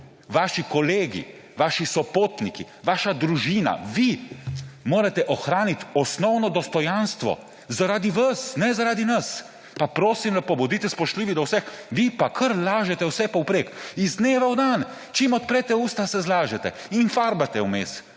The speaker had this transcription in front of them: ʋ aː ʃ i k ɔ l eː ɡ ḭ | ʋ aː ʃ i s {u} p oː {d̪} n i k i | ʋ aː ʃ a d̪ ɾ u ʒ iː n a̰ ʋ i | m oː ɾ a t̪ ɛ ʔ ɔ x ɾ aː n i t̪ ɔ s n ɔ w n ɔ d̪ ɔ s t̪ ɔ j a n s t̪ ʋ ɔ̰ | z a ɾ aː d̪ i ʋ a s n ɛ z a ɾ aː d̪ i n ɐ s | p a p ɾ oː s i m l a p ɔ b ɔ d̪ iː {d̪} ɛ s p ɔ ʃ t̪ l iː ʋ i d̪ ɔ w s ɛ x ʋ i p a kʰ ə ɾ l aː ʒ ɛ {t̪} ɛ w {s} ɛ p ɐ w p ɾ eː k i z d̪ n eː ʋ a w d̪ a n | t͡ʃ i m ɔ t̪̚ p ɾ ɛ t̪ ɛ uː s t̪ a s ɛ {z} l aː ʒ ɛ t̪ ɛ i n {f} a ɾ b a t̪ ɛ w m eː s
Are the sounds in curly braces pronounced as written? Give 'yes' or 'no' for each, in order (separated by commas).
no, no, no, yes, yes, yes, yes